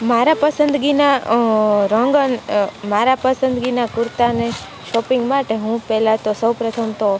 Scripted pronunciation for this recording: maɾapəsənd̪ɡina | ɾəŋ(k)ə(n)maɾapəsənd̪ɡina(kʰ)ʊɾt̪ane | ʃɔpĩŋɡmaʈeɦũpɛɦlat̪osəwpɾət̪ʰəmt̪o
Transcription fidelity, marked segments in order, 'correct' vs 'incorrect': incorrect, correct, incorrect

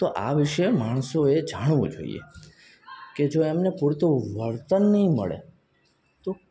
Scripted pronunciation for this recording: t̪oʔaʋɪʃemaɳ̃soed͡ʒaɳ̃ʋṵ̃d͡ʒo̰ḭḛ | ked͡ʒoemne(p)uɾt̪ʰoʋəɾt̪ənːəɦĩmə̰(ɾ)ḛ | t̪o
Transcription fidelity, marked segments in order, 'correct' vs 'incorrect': correct, incorrect

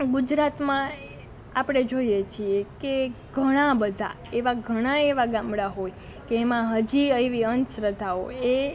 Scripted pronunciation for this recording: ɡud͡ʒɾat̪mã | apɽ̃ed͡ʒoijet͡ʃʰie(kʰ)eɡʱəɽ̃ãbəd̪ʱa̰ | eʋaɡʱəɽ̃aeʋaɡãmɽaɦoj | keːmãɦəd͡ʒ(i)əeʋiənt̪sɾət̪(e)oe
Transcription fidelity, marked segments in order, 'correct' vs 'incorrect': incorrect, correct, incorrect

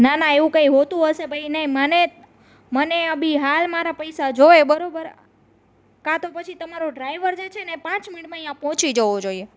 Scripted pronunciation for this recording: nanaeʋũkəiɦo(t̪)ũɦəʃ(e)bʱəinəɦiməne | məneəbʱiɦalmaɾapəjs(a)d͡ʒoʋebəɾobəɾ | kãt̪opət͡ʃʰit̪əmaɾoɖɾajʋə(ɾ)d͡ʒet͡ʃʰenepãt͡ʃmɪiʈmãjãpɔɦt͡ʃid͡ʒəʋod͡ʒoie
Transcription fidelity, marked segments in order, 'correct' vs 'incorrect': correct, correct, correct, correct

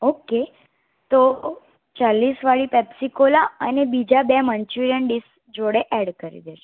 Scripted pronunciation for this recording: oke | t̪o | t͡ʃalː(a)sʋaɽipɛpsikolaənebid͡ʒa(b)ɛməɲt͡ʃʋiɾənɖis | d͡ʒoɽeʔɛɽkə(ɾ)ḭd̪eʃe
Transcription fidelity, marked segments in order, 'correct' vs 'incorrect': incorrect, correct, correct

